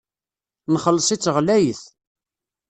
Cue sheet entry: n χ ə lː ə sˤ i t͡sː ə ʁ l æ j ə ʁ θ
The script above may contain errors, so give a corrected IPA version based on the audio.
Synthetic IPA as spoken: n χ ə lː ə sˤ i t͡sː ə ʁ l æ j ə θ